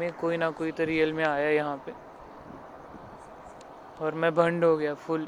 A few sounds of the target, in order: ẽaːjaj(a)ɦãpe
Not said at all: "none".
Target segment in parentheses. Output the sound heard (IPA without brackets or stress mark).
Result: ɐ